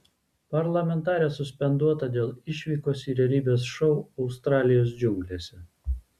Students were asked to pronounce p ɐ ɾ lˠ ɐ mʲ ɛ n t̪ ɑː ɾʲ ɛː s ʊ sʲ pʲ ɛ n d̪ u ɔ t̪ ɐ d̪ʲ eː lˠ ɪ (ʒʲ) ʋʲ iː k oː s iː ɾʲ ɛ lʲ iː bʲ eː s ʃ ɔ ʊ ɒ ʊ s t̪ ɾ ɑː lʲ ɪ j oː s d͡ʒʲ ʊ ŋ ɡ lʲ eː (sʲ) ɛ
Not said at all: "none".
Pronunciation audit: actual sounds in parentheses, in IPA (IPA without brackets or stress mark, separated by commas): ʃʲ, sʲ